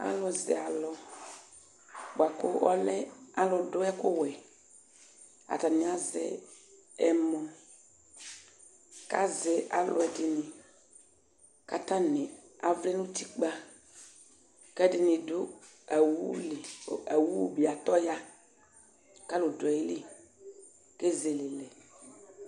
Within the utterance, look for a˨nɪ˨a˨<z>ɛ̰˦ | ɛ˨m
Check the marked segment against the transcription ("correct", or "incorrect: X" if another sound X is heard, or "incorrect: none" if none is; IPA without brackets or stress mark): correct